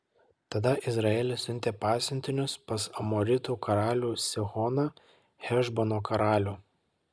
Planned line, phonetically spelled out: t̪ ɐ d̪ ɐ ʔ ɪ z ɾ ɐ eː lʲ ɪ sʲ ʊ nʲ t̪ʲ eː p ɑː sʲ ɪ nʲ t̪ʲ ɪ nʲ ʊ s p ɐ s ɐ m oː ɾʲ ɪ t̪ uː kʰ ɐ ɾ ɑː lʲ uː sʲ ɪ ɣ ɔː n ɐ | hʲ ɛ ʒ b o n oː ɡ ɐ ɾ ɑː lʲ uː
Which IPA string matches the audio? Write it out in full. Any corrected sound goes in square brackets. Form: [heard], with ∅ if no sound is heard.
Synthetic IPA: t̪ ɐ d̪ ɐ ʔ ɪ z ɾ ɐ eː lʲ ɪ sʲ ʊ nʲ t̪ʲ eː p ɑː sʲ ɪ nʲ t̪ʲ ɪ nʲ ʊ s p ɐ s ɐ m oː ɾʲ ɪ t̪ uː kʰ ɐ ɾ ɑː lʲ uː sʲ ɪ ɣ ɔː n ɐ | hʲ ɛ ʒ b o n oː [k] ɐ ɾ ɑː lʲ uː